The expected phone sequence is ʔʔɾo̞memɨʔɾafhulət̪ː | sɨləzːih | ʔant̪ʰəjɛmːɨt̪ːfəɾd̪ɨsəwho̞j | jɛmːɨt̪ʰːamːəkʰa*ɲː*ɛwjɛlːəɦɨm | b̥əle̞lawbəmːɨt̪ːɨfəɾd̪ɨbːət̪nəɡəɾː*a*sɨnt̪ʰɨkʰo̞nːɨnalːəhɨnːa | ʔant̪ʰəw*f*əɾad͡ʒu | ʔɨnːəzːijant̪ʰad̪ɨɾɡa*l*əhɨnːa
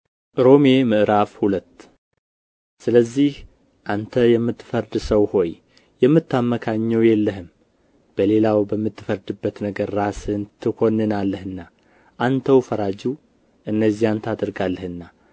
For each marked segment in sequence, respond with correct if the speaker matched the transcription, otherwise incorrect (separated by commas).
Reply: correct, correct, correct, incorrect